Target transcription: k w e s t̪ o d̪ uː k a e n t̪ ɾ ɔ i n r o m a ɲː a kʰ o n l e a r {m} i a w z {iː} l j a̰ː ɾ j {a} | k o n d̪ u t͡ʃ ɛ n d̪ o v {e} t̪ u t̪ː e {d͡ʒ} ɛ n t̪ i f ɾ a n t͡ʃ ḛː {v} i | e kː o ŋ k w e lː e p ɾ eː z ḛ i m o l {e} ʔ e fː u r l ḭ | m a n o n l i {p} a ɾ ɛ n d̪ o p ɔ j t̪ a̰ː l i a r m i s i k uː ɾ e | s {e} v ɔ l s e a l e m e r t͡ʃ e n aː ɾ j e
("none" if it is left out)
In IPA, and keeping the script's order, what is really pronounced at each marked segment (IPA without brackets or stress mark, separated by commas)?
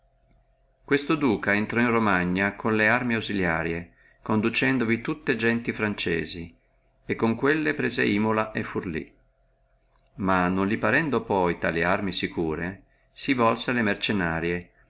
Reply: m, i, e, i, d͡ʒ, z, a, p, i